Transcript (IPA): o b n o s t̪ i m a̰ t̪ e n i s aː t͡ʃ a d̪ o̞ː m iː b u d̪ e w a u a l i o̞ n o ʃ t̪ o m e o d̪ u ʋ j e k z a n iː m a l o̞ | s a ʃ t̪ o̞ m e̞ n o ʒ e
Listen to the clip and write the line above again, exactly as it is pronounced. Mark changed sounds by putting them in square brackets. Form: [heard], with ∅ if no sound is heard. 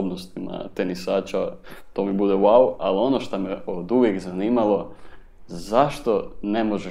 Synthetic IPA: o b n o s t̪ i m a̰ t̪ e n i s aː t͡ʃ a [t̪] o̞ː m [i] b u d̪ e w a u a l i o̞ n o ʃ t̪ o m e o d̪ u ʋ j e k z a n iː m a l o̞ | [z] a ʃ t̪ o̞ [n] e̞ [m] o ʒ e